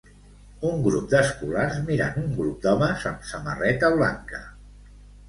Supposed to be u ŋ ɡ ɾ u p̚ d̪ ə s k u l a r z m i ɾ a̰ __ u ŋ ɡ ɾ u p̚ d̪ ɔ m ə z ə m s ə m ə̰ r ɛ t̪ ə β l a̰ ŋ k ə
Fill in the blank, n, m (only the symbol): n